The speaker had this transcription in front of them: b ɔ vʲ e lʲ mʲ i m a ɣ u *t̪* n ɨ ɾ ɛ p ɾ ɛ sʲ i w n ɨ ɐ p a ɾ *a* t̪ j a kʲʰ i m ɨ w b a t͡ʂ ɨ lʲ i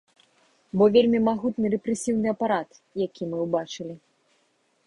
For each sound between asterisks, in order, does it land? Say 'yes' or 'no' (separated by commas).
yes, yes